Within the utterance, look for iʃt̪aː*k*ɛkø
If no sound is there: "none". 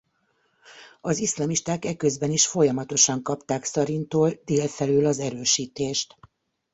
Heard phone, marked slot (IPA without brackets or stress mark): k